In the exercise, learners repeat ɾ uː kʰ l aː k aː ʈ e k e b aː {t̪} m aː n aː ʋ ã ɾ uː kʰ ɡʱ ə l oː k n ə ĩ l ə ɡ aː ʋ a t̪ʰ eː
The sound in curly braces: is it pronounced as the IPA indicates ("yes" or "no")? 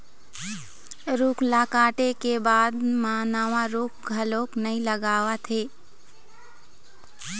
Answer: no